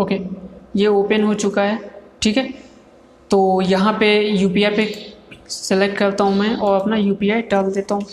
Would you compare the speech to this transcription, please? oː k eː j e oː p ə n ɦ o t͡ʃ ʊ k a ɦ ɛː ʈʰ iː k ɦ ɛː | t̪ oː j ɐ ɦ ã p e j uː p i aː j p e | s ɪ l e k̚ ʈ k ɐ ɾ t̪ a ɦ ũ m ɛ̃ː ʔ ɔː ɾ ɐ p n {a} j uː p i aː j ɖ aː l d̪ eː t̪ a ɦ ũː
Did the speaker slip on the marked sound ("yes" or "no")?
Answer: no